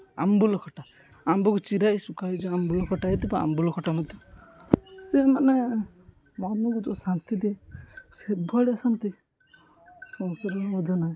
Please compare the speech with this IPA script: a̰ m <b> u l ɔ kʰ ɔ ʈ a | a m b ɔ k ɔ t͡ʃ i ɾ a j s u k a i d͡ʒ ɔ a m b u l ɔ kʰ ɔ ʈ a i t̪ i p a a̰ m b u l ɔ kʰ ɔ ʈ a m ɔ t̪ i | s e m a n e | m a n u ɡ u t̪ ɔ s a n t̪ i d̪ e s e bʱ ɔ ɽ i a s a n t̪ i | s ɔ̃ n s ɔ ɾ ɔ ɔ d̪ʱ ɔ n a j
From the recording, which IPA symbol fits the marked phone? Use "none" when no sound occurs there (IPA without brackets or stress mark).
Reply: b